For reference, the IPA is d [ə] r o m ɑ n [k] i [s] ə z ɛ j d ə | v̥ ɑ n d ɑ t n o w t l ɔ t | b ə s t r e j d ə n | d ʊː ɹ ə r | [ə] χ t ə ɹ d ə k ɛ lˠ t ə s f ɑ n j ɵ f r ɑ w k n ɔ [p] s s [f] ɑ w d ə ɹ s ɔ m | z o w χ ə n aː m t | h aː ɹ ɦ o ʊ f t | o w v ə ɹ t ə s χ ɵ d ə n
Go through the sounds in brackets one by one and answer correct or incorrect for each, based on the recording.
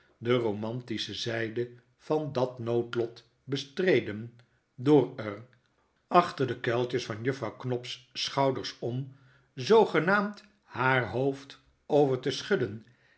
correct, incorrect: t, correct, incorrect: ɑ, correct, incorrect: χ

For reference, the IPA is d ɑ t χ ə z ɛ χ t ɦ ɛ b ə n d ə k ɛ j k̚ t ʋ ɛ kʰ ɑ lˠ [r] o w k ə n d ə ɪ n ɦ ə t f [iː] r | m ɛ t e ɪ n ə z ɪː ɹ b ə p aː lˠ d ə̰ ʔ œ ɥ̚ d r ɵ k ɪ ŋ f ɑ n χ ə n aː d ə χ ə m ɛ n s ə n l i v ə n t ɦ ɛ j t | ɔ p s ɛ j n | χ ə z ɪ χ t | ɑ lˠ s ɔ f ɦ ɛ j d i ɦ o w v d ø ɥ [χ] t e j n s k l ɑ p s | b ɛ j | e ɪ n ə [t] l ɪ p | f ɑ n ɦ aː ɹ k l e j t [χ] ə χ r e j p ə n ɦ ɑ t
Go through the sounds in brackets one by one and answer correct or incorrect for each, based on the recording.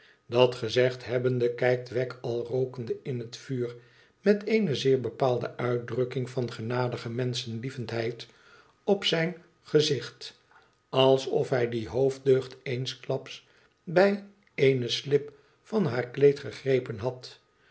correct, incorrect: yː, correct, incorrect: s, correct

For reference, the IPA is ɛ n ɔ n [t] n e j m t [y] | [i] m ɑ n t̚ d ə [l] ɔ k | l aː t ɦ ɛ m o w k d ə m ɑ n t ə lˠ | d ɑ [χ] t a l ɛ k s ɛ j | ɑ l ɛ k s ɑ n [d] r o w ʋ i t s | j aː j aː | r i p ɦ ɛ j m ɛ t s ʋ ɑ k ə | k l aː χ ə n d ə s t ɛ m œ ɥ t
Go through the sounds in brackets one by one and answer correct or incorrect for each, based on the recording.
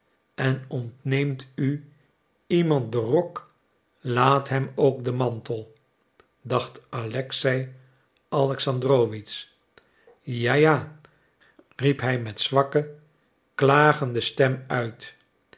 correct, correct, correct, incorrect: r, correct, correct

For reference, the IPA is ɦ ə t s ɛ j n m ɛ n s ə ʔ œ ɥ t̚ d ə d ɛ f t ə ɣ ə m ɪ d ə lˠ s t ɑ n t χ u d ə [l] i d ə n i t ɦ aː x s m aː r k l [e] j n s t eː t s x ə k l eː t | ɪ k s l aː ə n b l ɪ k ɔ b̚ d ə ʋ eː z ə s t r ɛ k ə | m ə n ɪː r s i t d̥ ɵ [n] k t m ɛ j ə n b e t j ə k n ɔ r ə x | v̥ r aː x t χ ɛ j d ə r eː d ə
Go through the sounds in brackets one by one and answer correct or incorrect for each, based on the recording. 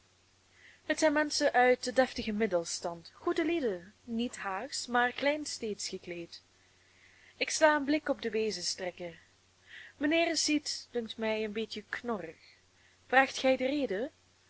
correct, incorrect: ɛ, incorrect: ŋ

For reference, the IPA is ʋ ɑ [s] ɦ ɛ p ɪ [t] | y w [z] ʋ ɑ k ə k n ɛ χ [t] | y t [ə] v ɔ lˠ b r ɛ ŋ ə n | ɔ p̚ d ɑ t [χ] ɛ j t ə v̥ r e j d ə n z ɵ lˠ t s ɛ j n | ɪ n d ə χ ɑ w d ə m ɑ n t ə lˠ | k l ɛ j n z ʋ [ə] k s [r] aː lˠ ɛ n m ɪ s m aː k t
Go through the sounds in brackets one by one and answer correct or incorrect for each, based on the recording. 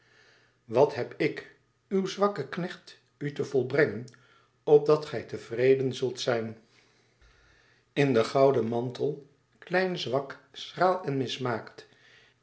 incorrect: t, incorrect: k, correct, correct, correct, correct, incorrect: ɑ, correct

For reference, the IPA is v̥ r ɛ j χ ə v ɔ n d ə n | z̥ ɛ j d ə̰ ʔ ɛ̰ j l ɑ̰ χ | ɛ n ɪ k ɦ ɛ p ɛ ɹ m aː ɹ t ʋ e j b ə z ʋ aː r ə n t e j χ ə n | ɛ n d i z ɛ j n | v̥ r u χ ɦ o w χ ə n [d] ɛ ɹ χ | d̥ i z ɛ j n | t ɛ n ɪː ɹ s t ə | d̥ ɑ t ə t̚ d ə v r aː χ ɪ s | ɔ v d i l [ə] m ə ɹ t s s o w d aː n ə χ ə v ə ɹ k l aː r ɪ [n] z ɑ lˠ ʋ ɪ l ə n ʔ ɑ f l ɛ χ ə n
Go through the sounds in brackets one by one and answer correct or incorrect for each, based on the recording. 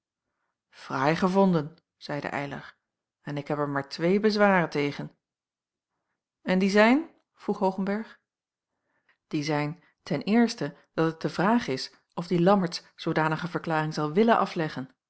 incorrect: b, incorrect: ɑ, incorrect: ŋ

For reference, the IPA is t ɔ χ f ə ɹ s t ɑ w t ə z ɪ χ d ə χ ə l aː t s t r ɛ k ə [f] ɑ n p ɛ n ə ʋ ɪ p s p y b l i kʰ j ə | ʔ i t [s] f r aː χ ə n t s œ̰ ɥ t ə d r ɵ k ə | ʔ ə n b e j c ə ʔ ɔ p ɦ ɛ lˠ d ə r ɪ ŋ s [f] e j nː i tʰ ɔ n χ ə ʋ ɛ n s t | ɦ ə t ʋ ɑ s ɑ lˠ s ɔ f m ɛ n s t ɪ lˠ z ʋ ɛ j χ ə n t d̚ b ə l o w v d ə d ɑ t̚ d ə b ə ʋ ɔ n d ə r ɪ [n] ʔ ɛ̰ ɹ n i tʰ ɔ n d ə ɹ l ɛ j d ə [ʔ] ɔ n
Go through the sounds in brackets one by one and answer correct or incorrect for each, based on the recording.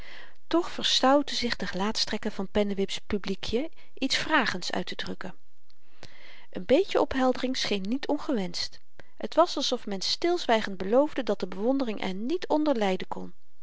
incorrect: v, correct, incorrect: χ, incorrect: ŋ, incorrect: k

